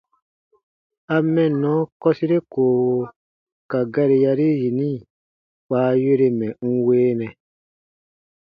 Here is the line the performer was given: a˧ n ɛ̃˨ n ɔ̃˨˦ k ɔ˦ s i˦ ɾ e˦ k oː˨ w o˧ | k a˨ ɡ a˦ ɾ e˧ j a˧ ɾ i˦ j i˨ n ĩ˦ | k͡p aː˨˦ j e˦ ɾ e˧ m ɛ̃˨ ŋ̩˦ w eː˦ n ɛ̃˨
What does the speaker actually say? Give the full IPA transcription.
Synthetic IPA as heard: a˧ m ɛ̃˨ n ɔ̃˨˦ k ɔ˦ s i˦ ɾ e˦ k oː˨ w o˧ | k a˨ ɡ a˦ ɾ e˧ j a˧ ɾ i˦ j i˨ n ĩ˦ | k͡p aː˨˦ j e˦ ɾ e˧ m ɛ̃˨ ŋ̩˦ w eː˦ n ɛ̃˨